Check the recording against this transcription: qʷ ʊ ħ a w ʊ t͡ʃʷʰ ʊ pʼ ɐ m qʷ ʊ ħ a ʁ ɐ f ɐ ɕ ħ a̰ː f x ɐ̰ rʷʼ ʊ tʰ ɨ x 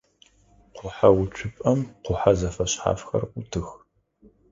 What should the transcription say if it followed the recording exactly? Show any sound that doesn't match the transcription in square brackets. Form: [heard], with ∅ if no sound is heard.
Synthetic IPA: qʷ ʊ ħ a w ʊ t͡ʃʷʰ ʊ pʼ ɐ m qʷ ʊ ħ a [z] ɐ f ɐ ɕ ħ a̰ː f x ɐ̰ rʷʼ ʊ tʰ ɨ x